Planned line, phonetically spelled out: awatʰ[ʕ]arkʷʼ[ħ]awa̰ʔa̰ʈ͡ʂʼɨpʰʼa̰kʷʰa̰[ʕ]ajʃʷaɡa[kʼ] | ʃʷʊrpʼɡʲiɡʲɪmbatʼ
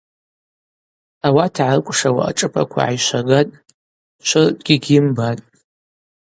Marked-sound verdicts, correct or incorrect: correct, incorrect: ʂ, correct, incorrect: tʼ

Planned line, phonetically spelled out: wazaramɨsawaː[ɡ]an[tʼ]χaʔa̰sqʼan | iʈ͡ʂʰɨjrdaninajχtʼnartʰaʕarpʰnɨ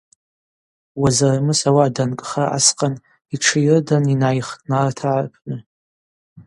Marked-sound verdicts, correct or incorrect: incorrect: d, incorrect: kʼ

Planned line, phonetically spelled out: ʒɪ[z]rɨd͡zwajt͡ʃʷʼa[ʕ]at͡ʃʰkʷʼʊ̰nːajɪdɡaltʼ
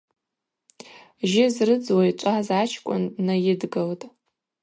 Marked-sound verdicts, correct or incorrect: correct, incorrect: z

